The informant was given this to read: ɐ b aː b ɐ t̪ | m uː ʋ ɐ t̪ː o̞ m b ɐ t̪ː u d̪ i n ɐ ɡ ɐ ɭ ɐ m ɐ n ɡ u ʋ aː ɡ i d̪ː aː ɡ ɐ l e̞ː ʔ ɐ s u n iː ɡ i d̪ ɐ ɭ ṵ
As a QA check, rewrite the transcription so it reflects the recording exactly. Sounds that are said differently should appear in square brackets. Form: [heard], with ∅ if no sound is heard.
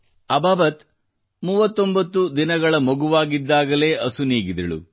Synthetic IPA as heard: ɐ b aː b ɐ t̪ | m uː ʋ ɐ t̪ː o̞ m b ɐ t̪ː u d̪ i n ɐ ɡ ɐ ɭ ɐ m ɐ [∅] ɡ u ʋ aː ɡ i d̪ː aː ɡ ɐ l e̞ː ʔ ɐ s u n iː ɡ i d̪ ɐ ɭ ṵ

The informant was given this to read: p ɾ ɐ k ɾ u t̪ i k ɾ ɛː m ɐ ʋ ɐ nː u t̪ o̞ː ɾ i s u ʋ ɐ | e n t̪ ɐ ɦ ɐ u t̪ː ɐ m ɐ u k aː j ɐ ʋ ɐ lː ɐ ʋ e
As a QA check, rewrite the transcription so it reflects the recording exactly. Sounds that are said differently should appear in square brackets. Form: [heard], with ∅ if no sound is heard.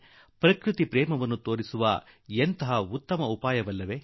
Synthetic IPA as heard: p ɾ ɐ k ɾ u t̪ i [p] ɾ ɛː m ɐ ʋ ɐ nː u t̪ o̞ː ɾ i s u ʋ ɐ | e n t̪ ɐ ɦ ɐ u t̪ː ɐ m ɐ u [p] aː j ɐ ʋ ɐ lː ɐ ʋ e

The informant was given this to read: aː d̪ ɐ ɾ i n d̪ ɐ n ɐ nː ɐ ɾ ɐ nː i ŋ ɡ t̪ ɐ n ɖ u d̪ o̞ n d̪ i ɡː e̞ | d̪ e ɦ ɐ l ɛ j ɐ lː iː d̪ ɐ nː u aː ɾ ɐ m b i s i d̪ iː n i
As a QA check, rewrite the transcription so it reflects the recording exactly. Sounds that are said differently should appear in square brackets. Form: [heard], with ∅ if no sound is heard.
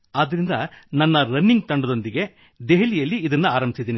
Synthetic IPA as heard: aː d̪ ɐ ɾ i n d̪ ɐ n ɐ nː ɐ ɾ ɐ nː i ŋ ɡ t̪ ɐ [ɳ] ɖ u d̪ o̞ n d̪ i [ɡ] e̞ | d̪ e ɦ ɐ l [i] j ɐ lː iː d̪ ɐ nː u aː ɾ ɐ m b i s i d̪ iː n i

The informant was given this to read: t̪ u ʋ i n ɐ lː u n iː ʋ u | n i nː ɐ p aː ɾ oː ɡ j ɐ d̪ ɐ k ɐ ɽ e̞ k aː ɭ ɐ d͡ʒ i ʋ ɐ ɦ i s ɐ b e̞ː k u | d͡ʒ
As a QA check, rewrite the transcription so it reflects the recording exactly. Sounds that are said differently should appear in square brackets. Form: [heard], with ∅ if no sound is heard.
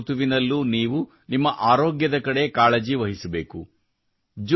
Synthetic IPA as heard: t̪ u ʋ i n ɐ lː u n iː ʋ u | n i [mː] ɐ [ʔ] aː ɾ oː ɡ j ɐ d̪ ɐ k ɐ ɽ e̞ k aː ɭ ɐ d͡ʒ i ʋ ɐ ɦ i s ɐ b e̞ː k u | d͡ʒ

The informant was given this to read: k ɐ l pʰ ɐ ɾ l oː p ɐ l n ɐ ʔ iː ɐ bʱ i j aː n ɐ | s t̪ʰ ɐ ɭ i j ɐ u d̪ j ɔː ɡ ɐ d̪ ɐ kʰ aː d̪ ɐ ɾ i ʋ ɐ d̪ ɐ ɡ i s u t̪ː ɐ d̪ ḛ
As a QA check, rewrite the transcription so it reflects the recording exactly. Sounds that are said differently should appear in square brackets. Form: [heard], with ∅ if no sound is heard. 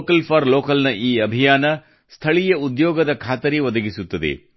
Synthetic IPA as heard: k ɐ l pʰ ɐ ɾ l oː [k] ɐ l n ɐ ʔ iː ɐ bʱ i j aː n ɐ | s t̪ʰ ɐ ɭ i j ɐ u d̪ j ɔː ɡ ɐ d̪ ɐ kʰ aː [t̪] ɐ ɾ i ʋ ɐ d̪ ɐ ɡ i s u t̪ː ɐ d̪ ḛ

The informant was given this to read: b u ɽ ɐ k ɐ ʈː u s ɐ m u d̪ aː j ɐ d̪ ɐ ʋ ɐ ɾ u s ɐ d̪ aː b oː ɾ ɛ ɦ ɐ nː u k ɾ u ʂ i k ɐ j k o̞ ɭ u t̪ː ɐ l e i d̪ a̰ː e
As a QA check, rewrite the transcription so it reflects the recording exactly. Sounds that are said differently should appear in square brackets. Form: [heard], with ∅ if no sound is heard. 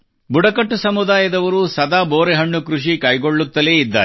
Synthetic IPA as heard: b u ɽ ɐ k ɐ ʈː u s ɐ m u d̪ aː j ɐ d̪ ɐ ʋ ɐ ɾ u s ɐ d̪ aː b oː ɾ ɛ ɦ ɐ [ɳː] u k ɾ u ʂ i k ɐ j [ɡ] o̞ [ɭː] u t̪ː ɐ l e i [d̪ː] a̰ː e

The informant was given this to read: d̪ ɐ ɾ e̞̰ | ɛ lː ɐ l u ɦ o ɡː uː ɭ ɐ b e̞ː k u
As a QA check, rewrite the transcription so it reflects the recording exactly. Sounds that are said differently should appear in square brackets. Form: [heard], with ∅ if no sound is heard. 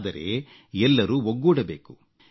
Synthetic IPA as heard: d̪ ɐ ɾ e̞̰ | ɛ lː ɐ [ɾ] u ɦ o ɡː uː [ɽ] ɐ b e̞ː k u

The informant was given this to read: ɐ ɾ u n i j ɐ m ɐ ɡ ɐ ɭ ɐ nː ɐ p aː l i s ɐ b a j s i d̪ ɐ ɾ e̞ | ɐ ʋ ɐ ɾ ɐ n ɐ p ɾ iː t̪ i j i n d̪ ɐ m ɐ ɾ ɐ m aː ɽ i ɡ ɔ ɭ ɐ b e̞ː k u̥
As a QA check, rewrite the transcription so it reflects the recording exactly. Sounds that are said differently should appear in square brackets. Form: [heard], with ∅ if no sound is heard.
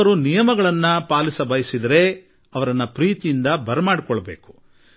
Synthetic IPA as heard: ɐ ɾ u n i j ɐ m ɐ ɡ ɐ ɭ ɐ nː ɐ p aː l i s ɐ b [ɐ] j s i d̪ ɐ ɾ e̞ | ɐ ʋ ɐ ɾ ɐ [nː] ɐ p ɾ iː t̪ i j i n d̪ ɐ [b] ɐ ɾ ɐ m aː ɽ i [k] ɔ ɭ ɐ b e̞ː k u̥

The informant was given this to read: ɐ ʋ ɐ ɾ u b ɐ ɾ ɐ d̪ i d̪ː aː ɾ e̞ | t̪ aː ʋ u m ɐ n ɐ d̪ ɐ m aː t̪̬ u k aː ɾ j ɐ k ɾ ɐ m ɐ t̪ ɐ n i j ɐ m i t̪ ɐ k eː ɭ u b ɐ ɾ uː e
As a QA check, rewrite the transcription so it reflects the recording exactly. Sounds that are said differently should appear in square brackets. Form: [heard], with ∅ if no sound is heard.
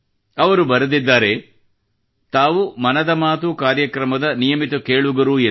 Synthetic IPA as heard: ɐ ʋ ɐ ɾ u b ɐ ɾ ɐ d̪ i d̪ː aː ɾ e̞ | t̪ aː ʋ u m ɐ n ɐ d̪ ɐ m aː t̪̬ u k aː ɾ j ɐ k ɾ ɐ m ɐ [d̪] ɐ n i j ɐ m i t̪ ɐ k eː ɭ u [ɡ] ɐ ɾ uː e

